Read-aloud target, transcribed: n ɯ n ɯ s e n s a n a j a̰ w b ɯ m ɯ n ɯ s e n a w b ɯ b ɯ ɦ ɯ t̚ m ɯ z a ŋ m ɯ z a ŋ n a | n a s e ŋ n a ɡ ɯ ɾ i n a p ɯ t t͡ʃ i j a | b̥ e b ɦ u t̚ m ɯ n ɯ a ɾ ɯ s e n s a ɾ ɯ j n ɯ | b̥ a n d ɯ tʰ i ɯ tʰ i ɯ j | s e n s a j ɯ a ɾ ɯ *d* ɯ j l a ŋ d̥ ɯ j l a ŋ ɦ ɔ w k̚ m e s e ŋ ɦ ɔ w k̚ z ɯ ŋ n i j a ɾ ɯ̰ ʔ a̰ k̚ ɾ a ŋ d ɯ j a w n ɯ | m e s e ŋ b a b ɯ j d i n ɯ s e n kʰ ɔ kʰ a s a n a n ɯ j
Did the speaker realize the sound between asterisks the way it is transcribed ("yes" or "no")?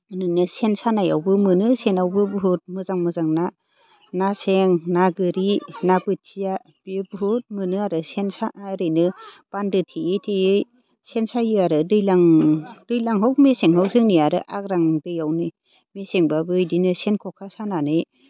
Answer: yes